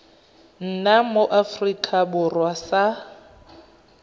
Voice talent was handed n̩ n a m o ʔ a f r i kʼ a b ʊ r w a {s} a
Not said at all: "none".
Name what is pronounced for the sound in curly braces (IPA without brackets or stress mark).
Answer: s